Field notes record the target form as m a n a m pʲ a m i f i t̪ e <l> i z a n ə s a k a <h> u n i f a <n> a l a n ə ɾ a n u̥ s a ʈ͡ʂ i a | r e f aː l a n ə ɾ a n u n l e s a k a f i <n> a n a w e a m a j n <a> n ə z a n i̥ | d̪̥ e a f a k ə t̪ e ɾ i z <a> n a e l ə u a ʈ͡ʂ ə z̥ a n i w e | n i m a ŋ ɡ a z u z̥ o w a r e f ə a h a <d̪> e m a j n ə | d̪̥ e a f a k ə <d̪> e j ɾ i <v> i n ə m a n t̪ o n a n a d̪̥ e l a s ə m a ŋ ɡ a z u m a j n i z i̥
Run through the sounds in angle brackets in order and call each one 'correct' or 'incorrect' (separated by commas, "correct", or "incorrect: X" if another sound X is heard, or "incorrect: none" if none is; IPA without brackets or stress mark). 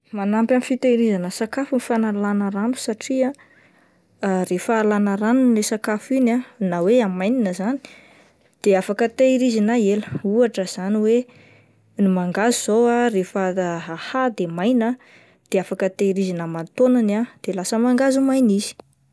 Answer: incorrect: ɾ, incorrect: f, correct, correct, incorrect: i, incorrect: i, correct, incorrect: t̪, incorrect: z